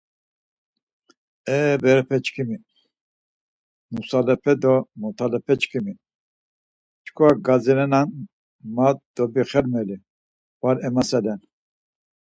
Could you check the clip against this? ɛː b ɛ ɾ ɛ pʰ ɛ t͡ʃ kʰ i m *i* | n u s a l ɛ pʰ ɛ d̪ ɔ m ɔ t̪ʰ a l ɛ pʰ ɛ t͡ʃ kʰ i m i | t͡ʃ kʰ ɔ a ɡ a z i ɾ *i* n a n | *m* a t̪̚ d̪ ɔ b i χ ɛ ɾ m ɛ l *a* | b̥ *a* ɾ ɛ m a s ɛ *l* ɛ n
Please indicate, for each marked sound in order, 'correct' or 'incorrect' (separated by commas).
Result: correct, incorrect, correct, incorrect, correct, correct